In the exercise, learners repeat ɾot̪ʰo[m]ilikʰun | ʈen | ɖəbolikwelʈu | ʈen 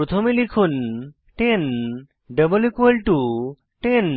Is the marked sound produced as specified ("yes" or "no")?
yes